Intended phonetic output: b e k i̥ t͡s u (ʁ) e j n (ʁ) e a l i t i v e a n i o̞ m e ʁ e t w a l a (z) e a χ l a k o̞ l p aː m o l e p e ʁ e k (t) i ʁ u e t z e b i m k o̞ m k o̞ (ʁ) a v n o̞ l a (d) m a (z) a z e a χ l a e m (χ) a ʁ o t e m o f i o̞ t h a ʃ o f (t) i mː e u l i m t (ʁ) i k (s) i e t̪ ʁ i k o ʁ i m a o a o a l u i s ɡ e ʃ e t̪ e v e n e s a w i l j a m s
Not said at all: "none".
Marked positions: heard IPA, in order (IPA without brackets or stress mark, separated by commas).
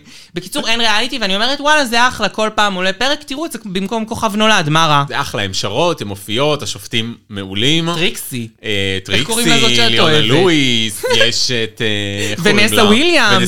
ʁ, ʁ, z, t, χ, d, ʁ, ʃ, t, ʁ, s